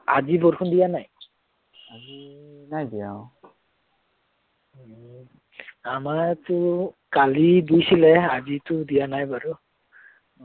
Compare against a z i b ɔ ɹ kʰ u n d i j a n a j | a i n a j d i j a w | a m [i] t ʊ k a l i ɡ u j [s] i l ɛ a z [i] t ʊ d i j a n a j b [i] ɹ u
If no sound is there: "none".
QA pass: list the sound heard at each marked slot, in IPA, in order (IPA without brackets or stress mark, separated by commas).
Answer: a, s, i, a